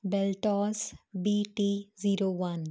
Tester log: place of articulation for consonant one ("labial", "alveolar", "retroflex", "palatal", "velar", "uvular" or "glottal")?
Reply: labial